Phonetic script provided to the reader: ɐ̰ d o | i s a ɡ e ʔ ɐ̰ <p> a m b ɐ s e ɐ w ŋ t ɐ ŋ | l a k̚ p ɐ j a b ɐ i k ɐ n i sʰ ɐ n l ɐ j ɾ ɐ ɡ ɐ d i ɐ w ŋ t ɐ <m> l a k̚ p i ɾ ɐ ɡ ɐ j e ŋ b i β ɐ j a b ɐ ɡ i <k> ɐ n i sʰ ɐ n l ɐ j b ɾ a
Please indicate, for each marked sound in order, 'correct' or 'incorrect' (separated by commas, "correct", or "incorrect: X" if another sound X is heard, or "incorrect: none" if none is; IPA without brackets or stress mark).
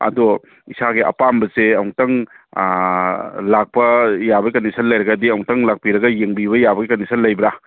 correct, incorrect: ŋ, correct